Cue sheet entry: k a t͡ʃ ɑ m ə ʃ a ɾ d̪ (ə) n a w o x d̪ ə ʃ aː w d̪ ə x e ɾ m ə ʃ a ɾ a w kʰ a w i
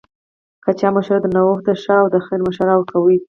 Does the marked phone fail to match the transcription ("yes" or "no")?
no